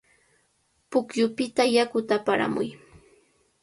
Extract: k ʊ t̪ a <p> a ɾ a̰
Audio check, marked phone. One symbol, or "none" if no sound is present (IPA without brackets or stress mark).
p